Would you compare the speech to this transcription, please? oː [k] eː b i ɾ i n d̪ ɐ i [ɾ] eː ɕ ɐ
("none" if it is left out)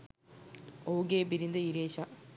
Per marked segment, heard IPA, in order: ɡ, ɾ

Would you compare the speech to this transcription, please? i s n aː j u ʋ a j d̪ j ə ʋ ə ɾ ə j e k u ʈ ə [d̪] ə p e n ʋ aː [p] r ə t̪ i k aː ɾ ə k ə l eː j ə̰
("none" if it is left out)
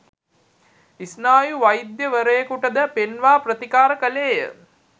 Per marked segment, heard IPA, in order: d̪, p

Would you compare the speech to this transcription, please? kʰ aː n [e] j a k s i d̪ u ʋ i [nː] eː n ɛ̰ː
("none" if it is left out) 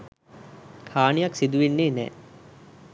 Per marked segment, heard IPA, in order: i, nː

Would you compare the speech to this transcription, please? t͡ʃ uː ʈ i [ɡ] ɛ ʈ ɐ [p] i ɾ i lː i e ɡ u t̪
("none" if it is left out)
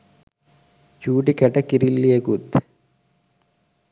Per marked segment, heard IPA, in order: k, k

